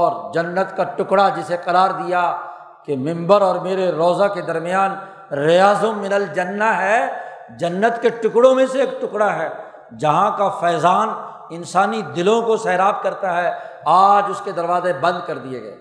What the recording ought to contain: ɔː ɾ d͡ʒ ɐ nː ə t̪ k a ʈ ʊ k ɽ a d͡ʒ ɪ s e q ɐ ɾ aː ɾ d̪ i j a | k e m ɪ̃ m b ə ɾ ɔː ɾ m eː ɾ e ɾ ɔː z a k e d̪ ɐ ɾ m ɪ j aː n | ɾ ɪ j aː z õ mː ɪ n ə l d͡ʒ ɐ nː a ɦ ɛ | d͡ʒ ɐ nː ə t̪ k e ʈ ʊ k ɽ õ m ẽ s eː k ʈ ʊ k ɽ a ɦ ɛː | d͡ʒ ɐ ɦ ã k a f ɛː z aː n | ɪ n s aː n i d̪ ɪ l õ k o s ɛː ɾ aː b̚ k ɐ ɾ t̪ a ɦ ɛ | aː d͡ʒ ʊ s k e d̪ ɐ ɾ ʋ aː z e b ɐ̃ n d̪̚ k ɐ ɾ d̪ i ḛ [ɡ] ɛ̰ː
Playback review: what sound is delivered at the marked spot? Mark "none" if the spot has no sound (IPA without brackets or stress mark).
ɡ